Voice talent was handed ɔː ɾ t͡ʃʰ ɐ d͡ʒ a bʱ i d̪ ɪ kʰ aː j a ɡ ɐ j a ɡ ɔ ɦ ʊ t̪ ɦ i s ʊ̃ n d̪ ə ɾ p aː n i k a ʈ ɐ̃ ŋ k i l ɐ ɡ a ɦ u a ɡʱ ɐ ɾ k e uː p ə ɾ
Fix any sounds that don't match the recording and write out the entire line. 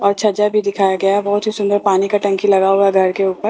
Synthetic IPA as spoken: ɔː ɾ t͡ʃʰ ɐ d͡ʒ a bʱ i d̪ ɪ kʰ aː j a ɡ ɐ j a b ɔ ɦ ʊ t̪ ɦ i s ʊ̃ n d̪ ə ɾ p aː n i k a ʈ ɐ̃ ŋ k i l ɐ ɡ a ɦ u a ɡʱ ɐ ɾ k e uː p ə ɾ

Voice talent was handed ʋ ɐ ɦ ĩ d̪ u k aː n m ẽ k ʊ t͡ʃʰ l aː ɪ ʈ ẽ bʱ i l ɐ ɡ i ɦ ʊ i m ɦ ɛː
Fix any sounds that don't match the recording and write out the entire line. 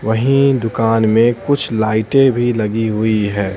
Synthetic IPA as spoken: ʋ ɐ ɦ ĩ d̪ ʊ k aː n m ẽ k ʊ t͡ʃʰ l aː ɪ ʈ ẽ bʱ i l ɐ ɡ i ɦ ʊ i ɦ ɛː

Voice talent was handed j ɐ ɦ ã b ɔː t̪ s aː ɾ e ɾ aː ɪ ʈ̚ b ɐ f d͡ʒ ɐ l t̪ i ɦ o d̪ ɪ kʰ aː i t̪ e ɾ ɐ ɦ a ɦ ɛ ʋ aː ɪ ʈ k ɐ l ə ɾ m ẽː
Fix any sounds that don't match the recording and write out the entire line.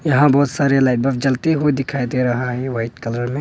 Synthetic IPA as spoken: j ɐ ɦ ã b ɔː t̪ s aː ɾ e l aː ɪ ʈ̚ b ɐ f d͡ʒ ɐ l t̪ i ɦ o d̪ ɪ kʰ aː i d̪ e ɾ ɐ ɦ a ɦ ɛ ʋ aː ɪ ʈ k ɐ l ə ɾ m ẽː

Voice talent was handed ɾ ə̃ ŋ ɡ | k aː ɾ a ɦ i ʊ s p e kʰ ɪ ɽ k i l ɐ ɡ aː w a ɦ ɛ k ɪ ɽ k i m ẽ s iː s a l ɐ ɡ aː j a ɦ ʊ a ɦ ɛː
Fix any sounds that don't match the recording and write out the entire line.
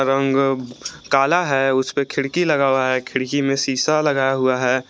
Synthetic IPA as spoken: ɾ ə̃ ŋ ɡ | k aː l a ɦ ɛ ʊ s p e kʰ ɪ ɽ k i l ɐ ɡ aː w a ɦ ɛ kʰ ɪ ɽ k i m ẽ s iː s a l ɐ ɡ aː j a ɦ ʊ a ɦ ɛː

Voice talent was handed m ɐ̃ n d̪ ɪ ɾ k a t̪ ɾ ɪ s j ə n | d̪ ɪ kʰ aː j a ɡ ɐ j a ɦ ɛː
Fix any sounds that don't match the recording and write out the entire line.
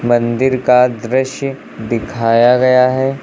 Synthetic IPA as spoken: m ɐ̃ n d̪ ɪ ɾ k a d̪ ɾ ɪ ʃ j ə | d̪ ɪ kʰ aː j a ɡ ɐ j a ɦ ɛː

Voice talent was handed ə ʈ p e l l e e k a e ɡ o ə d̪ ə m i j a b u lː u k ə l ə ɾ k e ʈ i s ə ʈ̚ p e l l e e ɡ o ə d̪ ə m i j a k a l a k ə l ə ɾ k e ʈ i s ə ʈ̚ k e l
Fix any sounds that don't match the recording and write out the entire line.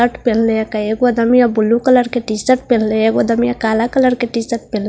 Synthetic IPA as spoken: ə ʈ p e l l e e k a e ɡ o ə d̪ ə m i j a b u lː u k ə l ə ɾ k e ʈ i s ə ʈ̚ p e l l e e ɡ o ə d̪ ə m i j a k a l a k ə l ə ɾ k e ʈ i s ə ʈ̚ p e l

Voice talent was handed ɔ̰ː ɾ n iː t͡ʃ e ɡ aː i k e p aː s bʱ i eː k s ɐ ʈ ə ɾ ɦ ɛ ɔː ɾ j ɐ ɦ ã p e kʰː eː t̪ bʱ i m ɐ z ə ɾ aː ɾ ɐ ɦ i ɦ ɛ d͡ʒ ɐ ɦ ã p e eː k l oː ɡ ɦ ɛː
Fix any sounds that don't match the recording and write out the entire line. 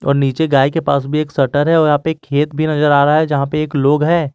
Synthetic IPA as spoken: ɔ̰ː ɾ n iː t͡ʃ e ɡ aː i k e p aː s bʱ i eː k s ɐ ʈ ə ɾ ɦ ɛ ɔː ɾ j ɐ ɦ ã p e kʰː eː t̪ bʱ i n ɐ z ə ɾ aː ɾ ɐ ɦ a ɦ ɛ d͡ʒ ɐ ɦ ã p e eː k l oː ɡ ɦ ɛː

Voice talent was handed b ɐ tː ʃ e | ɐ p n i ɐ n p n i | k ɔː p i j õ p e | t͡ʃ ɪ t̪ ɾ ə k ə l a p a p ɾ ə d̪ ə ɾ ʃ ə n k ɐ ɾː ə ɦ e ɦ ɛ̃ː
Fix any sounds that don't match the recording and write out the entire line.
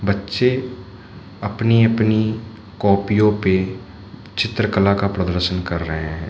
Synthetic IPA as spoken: b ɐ tː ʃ e | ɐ p n i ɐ p n i | k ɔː p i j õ p e | t͡ʃ ɪ t̪ ɾ ə k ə l a k a p ɾ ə d̪ ə ɾ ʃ ə n k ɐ ɾː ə ɦ e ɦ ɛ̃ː

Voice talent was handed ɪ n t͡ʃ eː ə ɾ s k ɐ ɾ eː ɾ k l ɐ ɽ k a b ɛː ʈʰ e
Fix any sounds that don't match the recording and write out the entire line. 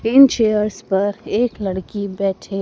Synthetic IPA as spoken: ɪ n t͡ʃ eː ə ɾ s p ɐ ɾ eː k l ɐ ɽ k i b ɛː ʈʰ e

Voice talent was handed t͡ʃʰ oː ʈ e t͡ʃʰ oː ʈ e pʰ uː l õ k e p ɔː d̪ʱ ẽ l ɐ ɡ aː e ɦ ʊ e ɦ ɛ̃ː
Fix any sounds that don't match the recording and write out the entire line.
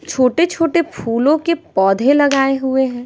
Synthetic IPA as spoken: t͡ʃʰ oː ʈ e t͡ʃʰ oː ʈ e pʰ uː l õ k e p ɔː d̪ʱ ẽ l ɐ ɡ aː e ɦ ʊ e ɦ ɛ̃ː

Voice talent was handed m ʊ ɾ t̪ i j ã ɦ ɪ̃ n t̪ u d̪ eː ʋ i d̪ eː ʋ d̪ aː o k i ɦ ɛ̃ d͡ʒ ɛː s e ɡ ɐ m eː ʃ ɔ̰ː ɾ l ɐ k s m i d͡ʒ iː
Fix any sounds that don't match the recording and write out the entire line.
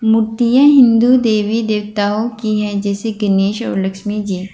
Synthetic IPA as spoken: m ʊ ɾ t̪ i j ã ɦ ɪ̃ n d̪ u d̪ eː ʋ i d̪ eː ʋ t̪ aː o k i ɦ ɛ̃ d͡ʒ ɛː s e ɡ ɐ n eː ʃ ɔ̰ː ɾ l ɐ k ʃ m i d͡ʒ iː

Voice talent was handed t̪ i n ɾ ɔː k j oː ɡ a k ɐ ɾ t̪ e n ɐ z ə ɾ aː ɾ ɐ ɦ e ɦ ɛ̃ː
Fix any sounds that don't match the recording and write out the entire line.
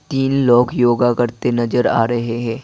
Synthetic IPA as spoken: t̪ iː n l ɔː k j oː ɡ a k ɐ ɾ t̪ e n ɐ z ə ɾ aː ɾ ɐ ɦ e ɦ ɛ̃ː

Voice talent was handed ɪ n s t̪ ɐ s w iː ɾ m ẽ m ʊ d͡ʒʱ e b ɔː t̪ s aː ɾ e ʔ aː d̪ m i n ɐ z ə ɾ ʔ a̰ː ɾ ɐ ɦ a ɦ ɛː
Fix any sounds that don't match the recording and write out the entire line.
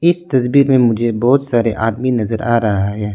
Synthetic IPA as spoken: ɪ s t̪ ɐ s b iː ɾ m ẽ m ʊ d͡ʒʱ e b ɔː t̪ s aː ɾ e ʔ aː d̪ m i n ɐ z ə ɾ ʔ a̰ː ɾ ɐ ɦ a ɦ ɛː

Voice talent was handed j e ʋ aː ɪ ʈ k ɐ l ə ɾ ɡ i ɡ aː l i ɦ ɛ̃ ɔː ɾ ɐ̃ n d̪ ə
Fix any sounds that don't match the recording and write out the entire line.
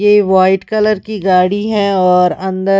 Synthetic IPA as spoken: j e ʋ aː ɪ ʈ k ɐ l ə ɾ k i ɡ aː ɽ i ɦ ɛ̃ ɔː ɾ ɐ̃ n d̪ ə

